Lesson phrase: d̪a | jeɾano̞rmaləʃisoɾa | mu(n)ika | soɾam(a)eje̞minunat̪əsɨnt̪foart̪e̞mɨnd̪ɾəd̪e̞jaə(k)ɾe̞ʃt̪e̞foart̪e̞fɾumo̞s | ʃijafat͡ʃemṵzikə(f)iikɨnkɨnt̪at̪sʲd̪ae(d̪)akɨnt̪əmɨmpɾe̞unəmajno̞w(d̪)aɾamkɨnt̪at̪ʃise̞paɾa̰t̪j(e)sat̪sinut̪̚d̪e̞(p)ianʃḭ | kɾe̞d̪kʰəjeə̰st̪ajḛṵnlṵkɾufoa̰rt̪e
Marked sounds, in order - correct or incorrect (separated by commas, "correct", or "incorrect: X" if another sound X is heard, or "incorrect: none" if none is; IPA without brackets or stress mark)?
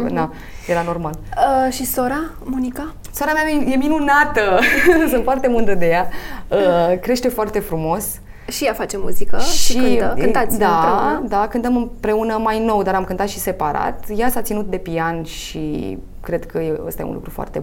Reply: correct, correct, correct, incorrect: ʃ, correct, correct, incorrect: a, correct